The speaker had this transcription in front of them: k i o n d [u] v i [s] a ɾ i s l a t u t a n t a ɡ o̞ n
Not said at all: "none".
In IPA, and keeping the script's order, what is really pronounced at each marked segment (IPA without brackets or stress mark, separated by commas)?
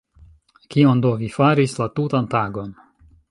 o, f